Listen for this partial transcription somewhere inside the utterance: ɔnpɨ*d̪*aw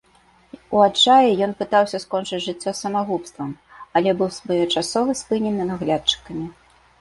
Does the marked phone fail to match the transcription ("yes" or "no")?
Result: yes